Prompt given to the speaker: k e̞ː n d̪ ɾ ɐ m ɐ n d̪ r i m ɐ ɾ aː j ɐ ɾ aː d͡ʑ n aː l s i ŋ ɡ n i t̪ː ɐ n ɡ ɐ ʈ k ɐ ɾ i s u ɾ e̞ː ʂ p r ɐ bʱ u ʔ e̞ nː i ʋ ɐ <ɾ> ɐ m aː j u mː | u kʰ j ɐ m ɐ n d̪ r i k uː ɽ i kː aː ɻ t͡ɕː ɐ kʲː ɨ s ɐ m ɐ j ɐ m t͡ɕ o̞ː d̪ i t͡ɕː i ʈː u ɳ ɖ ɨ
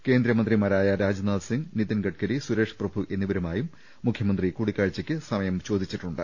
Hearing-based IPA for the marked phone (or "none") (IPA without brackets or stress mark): ɾ